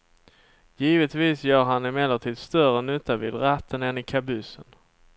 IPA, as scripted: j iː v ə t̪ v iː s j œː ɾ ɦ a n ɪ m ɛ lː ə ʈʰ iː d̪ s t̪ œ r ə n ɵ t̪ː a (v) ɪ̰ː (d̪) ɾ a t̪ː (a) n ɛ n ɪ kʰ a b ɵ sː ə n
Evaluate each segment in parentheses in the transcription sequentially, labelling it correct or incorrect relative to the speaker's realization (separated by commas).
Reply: correct, correct, incorrect